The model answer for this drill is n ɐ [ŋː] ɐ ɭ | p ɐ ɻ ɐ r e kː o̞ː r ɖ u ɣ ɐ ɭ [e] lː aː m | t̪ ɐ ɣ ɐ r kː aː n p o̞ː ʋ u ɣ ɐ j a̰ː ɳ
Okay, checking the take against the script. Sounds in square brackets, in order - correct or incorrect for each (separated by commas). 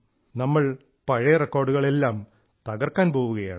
incorrect, correct